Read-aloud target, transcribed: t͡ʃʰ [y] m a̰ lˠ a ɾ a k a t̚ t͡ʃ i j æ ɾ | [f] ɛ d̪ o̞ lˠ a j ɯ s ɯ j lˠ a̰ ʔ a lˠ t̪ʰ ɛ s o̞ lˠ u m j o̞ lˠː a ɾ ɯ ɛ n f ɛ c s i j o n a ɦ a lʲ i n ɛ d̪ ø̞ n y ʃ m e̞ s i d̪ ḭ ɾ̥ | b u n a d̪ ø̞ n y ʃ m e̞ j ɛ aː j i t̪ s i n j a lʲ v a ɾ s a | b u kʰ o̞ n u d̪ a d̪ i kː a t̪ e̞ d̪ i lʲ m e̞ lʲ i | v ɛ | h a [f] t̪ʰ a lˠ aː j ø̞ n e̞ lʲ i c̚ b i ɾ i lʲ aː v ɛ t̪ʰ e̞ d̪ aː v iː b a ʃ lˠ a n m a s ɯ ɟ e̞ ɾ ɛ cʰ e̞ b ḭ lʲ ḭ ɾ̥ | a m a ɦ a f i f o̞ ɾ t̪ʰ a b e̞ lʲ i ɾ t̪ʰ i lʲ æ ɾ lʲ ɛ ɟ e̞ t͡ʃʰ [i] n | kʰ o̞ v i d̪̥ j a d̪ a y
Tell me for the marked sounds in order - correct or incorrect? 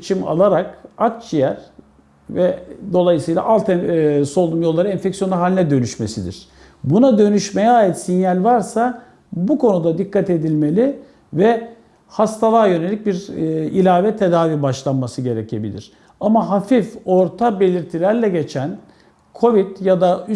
incorrect, incorrect, incorrect, incorrect

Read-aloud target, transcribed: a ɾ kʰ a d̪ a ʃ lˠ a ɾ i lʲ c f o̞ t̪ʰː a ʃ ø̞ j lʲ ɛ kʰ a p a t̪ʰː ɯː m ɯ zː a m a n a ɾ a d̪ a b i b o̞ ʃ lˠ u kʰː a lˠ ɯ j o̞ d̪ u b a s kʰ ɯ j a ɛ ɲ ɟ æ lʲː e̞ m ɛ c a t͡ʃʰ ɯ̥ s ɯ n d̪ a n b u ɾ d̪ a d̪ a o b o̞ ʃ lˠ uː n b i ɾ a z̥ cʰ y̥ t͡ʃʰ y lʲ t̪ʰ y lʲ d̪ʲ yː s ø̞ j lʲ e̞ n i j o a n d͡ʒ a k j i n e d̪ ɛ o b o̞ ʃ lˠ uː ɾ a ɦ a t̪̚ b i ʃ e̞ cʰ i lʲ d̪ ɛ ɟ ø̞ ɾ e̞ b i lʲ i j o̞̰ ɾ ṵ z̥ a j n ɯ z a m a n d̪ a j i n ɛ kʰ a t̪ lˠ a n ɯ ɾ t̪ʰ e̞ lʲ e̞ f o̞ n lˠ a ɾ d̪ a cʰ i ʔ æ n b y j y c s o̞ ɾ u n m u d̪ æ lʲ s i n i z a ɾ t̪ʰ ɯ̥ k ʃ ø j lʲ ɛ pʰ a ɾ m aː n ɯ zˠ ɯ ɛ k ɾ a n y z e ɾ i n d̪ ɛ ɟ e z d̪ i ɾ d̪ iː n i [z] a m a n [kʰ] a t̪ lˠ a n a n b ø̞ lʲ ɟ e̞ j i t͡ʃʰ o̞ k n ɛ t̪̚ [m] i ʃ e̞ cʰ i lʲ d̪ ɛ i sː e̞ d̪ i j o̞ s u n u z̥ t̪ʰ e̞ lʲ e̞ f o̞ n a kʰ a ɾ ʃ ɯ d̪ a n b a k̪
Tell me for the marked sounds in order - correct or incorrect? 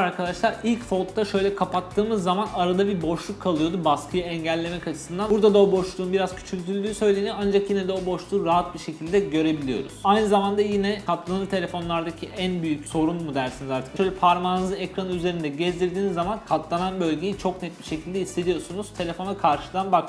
incorrect, correct, incorrect

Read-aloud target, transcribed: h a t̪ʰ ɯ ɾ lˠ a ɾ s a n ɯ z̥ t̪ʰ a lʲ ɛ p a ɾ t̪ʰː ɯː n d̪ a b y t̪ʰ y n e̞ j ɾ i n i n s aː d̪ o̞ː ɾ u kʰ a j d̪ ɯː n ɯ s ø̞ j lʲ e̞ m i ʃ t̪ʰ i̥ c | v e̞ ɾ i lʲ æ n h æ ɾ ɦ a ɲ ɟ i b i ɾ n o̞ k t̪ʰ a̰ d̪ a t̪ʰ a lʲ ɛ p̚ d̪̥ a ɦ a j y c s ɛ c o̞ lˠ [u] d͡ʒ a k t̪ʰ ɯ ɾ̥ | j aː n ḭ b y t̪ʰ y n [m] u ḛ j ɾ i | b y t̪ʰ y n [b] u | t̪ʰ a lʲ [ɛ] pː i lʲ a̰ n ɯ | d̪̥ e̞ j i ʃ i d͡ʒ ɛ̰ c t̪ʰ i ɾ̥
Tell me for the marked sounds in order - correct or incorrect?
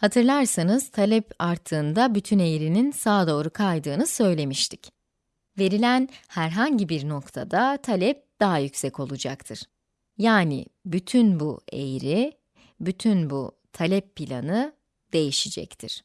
correct, incorrect, correct, correct

